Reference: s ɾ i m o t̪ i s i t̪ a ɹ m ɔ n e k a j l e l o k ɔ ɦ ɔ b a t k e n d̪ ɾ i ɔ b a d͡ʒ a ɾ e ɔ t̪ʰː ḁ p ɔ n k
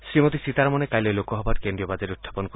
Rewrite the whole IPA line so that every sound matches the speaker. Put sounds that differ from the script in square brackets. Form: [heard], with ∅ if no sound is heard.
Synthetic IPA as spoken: s ɾ i m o t̪ i s i t̪ a [ɾ] m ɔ n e k a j l e l o k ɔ ɦ ɔ b a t k e n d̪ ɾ i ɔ b a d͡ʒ a ɾ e [u] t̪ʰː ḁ p ɔ n k

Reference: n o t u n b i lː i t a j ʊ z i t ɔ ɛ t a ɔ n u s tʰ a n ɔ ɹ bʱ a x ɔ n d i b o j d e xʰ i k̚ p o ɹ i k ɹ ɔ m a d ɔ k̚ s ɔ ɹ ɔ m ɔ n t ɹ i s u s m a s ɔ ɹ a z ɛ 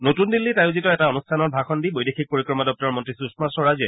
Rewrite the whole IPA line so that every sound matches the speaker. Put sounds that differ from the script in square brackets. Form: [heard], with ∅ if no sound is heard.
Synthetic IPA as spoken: n o t u n [d] i lː i t a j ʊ z i t ɔ ɛ t a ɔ n u s tʰ a n ɔ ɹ bʱ a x ɔ n d i b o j d e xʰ i k̚ p o ɹ i k ɹ ɔ m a d ɔ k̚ [t] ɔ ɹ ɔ m ɔ n t ɹ i s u s m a s ɔ ɹ a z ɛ

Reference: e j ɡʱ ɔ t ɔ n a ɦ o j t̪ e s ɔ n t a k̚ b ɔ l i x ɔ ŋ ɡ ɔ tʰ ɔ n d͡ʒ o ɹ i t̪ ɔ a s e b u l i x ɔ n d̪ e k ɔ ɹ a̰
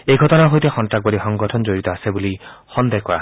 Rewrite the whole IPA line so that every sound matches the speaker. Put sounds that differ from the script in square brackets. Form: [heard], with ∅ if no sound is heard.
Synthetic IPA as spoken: e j ɡʱ ɔ t ɔ n a ɦ o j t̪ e [x] ɔ n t a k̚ b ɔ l i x ɔ ŋ ɡ ɔ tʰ ɔ n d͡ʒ o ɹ i t̪ ɔ a s e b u l i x ɔ n d̪ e k ɔ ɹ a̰

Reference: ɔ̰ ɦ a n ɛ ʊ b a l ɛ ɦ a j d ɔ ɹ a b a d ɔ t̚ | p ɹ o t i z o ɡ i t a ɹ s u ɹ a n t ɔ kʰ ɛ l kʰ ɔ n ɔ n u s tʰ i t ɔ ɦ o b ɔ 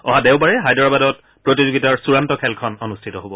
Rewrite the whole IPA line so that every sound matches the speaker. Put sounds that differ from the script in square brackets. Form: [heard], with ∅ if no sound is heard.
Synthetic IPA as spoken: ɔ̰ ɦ a [d] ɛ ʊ b a [ɹ] ɛ ɦ a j d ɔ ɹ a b a d ɔ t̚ | p ɹ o t i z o ɡ i t a ɹ s u ɹ a n t ɔ kʰ ɛ l kʰ ɔ n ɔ n u s tʰ i t ɔ ɦ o b ɔ

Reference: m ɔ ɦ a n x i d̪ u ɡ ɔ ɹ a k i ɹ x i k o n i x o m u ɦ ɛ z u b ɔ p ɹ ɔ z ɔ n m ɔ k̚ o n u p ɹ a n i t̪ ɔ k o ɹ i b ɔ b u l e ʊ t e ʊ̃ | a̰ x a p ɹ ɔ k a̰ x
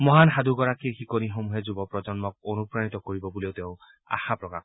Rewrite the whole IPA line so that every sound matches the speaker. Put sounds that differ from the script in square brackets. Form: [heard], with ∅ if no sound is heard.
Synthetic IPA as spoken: m ɔ ɦ a n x [a] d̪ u ɡ ɔ ɹ a k i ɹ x i k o n i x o m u ɦ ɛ z u b ɔ p ɹ ɔ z ɔ n m ɔ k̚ o n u p ɹ a n i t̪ ɔ k o ɹ i b ɔ b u l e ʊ t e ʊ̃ | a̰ x a p ɹ ɔ k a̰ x

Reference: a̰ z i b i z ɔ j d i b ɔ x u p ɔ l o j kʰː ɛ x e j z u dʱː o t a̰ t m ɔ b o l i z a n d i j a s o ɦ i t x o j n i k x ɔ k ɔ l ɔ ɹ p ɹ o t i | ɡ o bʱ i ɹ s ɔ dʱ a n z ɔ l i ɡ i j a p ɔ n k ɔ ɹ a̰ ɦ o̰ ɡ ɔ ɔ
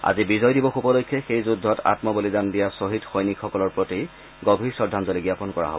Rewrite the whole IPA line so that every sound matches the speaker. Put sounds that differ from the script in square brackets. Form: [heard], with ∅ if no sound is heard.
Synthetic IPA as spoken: a̰ z i b i z ɔ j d i b ɔ x u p ɔ l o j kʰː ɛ x e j z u dʱː [ɔ] t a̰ t m ɔ b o l i z a n d i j a s o ɦ i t x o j n i k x ɔ k ɔ l ɔ ɹ p ɹ o t i | ɡ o bʱ i ɹ s ɔ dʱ a n z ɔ l i ɡ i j a p ɔ n k ɔ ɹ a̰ ɦ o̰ [b] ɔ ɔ

